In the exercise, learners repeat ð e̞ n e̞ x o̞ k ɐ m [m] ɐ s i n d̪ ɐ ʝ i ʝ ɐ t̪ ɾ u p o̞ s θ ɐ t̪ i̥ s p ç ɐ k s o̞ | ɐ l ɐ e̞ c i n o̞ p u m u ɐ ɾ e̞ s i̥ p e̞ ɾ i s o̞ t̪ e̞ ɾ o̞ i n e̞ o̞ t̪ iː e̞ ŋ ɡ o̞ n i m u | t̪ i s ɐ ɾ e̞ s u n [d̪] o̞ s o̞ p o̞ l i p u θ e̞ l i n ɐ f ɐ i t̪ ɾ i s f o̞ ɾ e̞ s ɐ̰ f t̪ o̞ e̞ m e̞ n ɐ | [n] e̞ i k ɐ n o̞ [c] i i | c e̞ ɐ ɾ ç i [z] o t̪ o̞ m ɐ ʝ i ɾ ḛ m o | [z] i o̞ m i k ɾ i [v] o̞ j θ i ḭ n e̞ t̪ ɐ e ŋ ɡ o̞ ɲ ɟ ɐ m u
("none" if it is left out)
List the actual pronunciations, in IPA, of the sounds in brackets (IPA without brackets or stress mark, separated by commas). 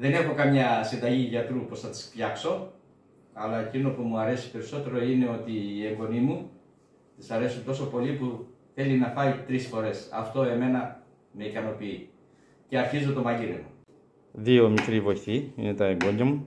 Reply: ɲ, t̪, m, p, z, ð, v